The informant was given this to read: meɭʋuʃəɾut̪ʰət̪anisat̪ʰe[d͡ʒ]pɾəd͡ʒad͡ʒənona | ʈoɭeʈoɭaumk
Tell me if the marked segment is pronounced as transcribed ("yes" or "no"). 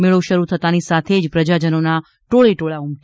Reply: yes